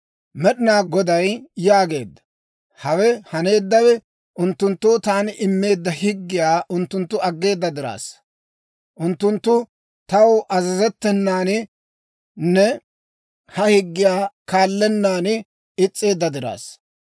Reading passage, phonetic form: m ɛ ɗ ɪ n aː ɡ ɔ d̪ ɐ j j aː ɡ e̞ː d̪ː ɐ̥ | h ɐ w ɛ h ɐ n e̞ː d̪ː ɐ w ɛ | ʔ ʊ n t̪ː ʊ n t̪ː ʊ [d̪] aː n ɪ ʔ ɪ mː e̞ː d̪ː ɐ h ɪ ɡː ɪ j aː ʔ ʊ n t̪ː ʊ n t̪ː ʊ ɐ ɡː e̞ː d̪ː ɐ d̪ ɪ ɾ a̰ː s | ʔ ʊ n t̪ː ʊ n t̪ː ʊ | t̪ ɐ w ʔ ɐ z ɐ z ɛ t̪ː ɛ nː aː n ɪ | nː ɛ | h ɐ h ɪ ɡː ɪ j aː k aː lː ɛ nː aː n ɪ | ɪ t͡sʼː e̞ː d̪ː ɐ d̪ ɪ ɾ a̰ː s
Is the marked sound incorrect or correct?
incorrect